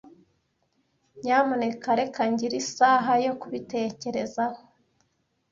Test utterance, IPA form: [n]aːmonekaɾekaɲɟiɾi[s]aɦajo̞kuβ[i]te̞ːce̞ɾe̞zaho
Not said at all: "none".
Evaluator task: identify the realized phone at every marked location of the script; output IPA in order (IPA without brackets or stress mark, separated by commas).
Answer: ɲ, s, i